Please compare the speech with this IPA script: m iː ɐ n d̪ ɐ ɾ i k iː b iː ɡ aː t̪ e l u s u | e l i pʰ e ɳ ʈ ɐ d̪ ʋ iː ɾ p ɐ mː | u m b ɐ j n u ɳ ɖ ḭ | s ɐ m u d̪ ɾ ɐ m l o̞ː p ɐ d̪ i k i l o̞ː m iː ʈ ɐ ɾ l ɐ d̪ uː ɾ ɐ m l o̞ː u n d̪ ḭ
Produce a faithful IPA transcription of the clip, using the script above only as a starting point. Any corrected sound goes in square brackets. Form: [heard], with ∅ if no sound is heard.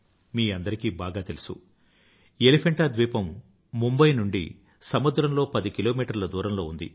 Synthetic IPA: m iː ɐ n d̪ ɐ ɾ i k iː b [aː] ɡ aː t̪ e l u s u | e l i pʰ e ɳ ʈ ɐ d̪ ʋ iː [∅] p ɐ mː | u m b ɐ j n u ɳ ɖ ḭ | s ɐ m u d̪ ɾ ɐ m l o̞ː p ɐ d̪ i k i l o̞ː m iː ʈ ɐ ɾ l ɐ d̪ uː ɾ ɐ m l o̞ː u n d̪ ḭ

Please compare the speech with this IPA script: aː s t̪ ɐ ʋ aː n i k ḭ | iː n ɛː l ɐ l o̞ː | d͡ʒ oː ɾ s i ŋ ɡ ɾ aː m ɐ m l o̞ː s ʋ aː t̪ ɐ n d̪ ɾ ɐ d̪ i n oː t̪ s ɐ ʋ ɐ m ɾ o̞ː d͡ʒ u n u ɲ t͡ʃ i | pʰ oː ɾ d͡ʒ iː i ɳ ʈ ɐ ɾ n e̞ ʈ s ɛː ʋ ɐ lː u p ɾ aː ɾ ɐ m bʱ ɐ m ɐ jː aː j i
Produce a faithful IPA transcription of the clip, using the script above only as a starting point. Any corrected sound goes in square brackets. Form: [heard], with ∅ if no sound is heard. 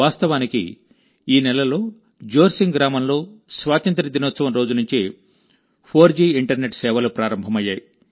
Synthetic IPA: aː s t̪ ɐ ʋ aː n i k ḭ | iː n [ɛ] l ɐ l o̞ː | d͡ʒ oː ɾ s i ŋ ɡ ɾ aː m ɐ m l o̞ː s ʋ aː t̪ ɐ n [t̪] ɾ ɐ d̪ i n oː t̪ s ɐ ʋ ɐ m ɾ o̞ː d͡ʒ u n u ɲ t͡ʃ i | pʰ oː ɾ d͡ʒ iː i ɳ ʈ ɐ ɾ n e̞ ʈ s ɛː ʋ ɐ [l] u p ɾ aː ɾ ɐ m bʱ ɐ m ɐ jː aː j i

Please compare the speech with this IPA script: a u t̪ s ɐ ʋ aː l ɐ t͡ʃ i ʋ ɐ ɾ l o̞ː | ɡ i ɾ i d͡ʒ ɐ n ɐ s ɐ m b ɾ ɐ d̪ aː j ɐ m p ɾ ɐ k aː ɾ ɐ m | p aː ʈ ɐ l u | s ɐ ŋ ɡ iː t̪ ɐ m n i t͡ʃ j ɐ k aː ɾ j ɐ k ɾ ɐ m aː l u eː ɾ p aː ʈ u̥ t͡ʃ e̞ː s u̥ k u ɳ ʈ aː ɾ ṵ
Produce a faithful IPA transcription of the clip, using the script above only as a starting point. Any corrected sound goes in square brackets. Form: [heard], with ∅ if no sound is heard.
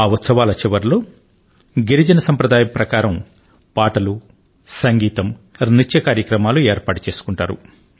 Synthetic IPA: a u t̪ s ɐ ʋ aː l ɐ t͡ʃ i ʋ ɐ ɾ l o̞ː | ɡ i ɾ i d͡ʒ ɐ n ɐ s ɐ m [p] ɾ ɐ d̪ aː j ɐ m p ɾ ɐ k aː ɾ ɐ m | p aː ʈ ɐ l u | s ɐ ŋ ɡ iː t̪ ɐ m n i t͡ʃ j ɐ k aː ɾ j ɐ k ɾ ɐ m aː l u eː ɾ p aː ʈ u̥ t͡ʃ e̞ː s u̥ k u ɳ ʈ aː ɾ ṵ

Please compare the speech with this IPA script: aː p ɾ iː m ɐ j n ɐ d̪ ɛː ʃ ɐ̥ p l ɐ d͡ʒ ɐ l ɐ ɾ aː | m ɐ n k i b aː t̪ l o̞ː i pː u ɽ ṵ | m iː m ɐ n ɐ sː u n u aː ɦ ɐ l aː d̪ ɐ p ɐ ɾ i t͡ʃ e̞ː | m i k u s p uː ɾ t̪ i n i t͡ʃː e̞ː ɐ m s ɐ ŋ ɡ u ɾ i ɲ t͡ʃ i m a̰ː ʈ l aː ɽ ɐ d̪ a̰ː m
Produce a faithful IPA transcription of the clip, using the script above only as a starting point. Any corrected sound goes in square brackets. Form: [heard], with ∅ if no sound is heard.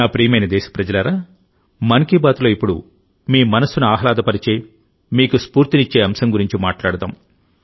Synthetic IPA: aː p ɾ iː m ɐ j n ɐ d̪ ɛː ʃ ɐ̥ p [ɾ] ɐ d͡ʒ ɐ l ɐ ɾ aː | m ɐ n k i b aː t̪ l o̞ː i pː u ɽ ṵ | m iː m ɐ n ɐ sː u n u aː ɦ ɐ l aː d̪ ɐ p ɐ ɾ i t͡ʃ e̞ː | m [iː] k u s p uː ɾ t̪ i n i t͡ʃː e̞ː ɐ m s ɐ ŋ ɡ u ɾ i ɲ t͡ʃ i m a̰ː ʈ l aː ɽ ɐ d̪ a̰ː m

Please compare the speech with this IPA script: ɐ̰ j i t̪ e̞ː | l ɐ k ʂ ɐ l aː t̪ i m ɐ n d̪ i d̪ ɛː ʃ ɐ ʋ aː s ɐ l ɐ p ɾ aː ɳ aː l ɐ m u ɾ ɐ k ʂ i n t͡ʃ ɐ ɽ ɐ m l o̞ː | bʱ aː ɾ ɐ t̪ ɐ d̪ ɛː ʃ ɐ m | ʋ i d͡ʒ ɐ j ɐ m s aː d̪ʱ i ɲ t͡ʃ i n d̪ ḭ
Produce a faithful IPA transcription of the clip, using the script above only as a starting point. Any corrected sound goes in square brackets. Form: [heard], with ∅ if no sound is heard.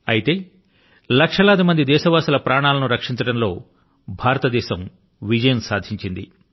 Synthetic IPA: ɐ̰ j i t̪ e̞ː | l ɐ k ʂ ɐ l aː [d̪] i m ɐ n d̪ i d̪ ɛː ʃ ɐ ʋ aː s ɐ l ɐ p ɾ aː ɳ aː l ɐ [n] u ɾ ɐ k ʂ i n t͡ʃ ɐ ɽ ɐ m l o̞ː | bʱ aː ɾ ɐ t̪ ɐ d̪ ɛː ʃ ɐ m | ʋ i d͡ʒ ɐ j ɐ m s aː d̪ʱ i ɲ t͡ʃ i n d̪ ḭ

